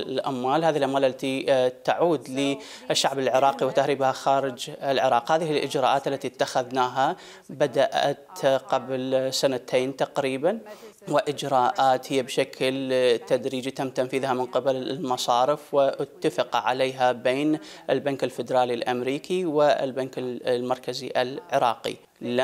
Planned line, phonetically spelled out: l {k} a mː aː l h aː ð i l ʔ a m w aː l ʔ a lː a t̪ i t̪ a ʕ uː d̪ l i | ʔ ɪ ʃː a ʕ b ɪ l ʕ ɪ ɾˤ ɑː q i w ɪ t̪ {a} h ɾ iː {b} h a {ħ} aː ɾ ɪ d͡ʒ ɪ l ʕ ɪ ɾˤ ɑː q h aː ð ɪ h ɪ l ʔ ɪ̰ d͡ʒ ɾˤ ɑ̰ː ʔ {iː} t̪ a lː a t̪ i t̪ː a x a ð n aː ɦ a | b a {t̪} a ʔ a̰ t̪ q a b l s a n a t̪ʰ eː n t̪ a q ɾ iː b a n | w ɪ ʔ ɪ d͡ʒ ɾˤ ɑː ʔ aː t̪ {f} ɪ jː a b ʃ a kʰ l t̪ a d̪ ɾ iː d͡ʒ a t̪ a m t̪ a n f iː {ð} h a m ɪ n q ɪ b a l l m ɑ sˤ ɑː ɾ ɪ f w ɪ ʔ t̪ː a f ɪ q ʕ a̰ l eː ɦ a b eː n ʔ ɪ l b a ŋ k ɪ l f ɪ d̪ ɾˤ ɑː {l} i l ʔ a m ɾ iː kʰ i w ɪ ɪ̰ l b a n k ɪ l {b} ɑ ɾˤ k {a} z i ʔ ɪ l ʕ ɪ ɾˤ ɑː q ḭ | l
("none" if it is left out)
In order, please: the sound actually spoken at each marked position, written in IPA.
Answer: ʔ, a, b, x, aː, d̪, h, ð, l, m, a

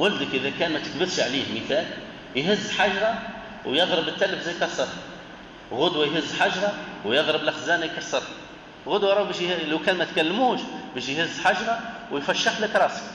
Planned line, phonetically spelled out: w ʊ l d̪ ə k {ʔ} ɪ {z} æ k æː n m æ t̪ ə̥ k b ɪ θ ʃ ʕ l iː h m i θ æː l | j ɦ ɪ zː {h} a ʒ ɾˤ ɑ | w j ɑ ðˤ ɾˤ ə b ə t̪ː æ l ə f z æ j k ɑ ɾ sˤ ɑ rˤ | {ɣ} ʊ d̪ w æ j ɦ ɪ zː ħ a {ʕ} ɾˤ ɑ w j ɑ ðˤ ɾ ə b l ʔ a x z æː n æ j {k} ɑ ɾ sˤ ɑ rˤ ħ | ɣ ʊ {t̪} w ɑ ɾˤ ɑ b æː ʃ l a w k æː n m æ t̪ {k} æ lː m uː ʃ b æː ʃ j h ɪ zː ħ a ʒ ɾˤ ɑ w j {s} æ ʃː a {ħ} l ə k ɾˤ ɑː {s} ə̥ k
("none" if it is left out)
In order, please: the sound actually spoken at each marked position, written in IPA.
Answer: ʔ, ð, ħ, ɣ, ʒ, k, d̪, k, f, ħ, s

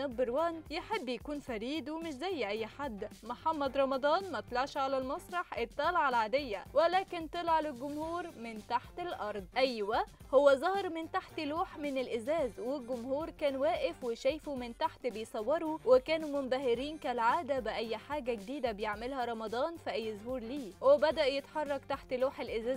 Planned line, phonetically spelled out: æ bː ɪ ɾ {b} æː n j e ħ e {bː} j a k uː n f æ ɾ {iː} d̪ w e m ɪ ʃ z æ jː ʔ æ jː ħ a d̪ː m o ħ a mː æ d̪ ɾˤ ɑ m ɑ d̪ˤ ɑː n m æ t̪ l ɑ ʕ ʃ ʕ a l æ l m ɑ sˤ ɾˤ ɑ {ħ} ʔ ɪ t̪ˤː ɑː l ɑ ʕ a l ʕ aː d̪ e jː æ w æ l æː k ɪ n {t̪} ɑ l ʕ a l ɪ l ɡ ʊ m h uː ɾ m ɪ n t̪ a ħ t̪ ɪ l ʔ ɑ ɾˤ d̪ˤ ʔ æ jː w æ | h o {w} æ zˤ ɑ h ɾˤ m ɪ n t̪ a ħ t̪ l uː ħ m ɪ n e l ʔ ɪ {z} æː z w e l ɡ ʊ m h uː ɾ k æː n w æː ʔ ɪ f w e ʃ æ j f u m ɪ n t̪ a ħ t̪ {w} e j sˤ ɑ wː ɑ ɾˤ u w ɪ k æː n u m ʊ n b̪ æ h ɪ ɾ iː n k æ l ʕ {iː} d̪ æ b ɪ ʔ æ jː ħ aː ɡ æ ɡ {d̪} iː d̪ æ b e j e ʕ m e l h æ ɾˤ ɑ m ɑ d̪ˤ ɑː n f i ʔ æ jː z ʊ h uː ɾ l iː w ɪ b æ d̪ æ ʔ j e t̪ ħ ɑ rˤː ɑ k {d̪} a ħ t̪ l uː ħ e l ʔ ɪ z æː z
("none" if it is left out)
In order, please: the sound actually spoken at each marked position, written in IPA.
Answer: w, bː, iː, ħ, t̪, wː, z, b, aː, d̪, t̪

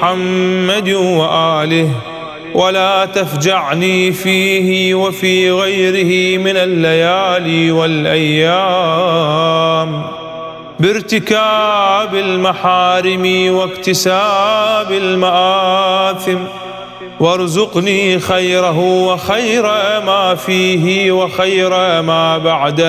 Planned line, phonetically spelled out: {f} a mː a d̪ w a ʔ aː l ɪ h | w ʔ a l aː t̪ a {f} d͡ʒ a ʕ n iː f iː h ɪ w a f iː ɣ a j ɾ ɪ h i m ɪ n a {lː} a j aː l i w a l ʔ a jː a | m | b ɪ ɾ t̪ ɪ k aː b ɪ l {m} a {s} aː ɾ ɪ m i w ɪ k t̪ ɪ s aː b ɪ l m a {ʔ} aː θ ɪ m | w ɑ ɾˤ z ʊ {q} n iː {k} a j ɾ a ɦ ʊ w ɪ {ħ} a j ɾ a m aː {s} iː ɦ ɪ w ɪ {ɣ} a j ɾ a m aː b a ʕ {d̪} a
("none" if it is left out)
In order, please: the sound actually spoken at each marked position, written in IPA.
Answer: ħ, f, lː, m, ħ, ʔ, q, x, x, f, x, d̪

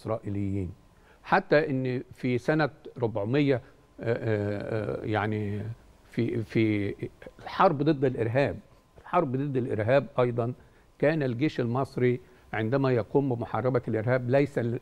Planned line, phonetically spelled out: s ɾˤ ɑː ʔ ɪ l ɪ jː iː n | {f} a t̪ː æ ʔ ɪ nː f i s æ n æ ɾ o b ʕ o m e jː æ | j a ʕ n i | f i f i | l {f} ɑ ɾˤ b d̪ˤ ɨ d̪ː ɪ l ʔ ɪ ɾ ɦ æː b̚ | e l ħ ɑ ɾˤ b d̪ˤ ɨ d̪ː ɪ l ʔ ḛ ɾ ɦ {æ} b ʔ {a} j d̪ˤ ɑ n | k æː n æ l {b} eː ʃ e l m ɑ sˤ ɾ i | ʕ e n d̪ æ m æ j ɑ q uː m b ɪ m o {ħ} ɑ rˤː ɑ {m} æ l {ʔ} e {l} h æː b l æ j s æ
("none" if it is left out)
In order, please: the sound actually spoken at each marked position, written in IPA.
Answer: ħ, ħ, æː, ɑ, ɡ, ħ, b, ʔ, ɾ

